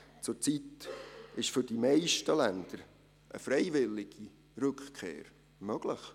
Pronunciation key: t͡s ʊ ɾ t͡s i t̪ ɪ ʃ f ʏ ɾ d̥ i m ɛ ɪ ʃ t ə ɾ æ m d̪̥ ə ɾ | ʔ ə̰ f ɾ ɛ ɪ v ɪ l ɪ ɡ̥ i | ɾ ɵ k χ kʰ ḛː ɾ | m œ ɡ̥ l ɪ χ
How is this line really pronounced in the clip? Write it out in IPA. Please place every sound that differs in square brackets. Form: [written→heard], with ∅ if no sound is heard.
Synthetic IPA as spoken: t͡s ʊ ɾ t͡s i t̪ ɪ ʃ f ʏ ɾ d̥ i m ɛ ɪ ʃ t ə [ɾ→l] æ [m→n] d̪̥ ə ɾ | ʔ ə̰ f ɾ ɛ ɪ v ɪ l ɪ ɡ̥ i | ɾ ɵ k χ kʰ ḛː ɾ | m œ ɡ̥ l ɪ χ